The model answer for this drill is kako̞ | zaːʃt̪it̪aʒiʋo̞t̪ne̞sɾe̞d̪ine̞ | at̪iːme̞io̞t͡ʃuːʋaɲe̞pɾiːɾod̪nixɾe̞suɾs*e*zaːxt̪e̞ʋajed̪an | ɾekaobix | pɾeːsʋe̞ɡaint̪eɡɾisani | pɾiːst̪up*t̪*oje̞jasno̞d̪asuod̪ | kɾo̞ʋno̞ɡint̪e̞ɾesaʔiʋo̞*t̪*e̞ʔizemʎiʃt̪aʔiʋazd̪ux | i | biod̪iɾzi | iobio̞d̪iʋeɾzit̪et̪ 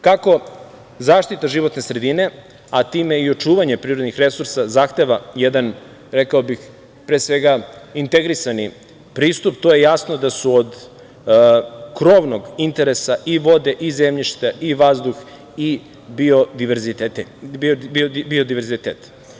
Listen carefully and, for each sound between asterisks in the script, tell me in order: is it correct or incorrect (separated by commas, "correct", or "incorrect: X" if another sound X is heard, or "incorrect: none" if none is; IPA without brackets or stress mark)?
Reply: incorrect: a, correct, incorrect: d̪